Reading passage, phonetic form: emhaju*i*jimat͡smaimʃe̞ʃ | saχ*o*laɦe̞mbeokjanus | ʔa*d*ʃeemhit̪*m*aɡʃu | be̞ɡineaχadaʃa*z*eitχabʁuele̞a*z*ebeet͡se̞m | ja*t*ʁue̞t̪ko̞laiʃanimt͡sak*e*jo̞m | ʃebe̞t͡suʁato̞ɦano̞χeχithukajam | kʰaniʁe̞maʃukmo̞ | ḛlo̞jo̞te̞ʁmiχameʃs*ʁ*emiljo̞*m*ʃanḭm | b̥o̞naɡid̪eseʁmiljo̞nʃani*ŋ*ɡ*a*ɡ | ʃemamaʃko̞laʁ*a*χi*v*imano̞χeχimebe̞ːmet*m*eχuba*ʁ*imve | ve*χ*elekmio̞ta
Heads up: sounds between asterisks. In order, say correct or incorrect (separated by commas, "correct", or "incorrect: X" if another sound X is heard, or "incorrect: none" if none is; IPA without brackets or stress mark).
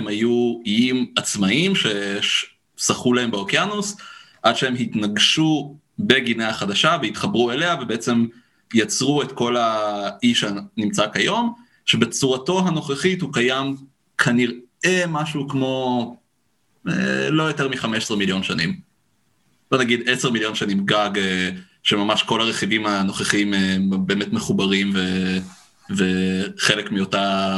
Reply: correct, incorrect: u, correct, incorrect: n, incorrect: v, incorrect: v, incorrect: t͡s, incorrect: a, correct, incorrect: n, incorrect: m, correct, incorrect: e, correct, correct, correct, correct